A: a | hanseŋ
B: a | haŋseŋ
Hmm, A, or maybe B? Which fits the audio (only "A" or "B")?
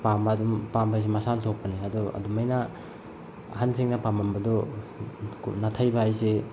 A